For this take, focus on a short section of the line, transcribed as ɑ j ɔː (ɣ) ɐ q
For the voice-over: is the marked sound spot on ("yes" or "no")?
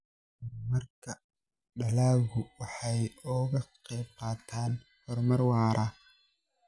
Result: yes